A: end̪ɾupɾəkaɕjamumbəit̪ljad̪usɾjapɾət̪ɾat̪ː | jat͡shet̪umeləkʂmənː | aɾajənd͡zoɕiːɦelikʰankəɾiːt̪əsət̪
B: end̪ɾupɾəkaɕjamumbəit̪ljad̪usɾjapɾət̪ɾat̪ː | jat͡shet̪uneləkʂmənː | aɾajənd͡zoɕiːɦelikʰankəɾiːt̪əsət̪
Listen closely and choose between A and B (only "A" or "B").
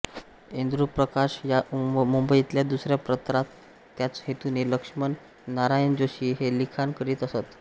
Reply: B